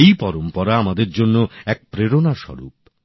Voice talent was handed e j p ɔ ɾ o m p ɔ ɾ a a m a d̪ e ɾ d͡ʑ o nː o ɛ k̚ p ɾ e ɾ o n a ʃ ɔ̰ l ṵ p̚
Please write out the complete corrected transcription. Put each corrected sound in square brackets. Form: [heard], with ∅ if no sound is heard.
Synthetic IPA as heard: e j p ɔ ɾ o m p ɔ ɾ a a m a d̪ e ɾ d͡ʑ o nː o ɛ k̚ p ɾ e ɾ o n a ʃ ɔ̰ [ɾ] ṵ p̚